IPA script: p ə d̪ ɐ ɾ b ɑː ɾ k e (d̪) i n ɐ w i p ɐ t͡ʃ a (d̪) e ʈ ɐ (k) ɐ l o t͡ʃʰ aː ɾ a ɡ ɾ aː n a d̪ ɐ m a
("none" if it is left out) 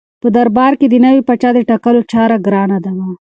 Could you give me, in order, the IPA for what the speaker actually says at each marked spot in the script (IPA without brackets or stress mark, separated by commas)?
d̪, d̪, k